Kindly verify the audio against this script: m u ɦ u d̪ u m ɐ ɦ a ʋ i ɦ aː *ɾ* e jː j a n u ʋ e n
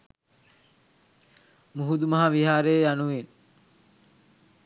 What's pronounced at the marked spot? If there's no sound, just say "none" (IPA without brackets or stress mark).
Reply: ɾ